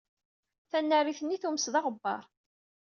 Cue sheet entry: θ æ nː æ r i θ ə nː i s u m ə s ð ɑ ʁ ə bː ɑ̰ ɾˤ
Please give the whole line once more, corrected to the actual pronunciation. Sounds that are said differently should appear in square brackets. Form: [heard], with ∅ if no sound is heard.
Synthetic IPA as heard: θ æ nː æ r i θ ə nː i [θ] u m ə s ð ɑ ʁ ə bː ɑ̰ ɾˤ